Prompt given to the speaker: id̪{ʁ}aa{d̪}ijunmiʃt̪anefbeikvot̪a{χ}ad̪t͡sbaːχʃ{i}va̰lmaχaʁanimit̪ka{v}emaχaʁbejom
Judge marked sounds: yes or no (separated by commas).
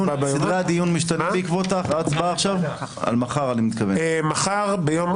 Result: yes, yes, yes, no, yes